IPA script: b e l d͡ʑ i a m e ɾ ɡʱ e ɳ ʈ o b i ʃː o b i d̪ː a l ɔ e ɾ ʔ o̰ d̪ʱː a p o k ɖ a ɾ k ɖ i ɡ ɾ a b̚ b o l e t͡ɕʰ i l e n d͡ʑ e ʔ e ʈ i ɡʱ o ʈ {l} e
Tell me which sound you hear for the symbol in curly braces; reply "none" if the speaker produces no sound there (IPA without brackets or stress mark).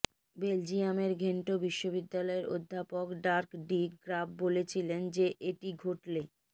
l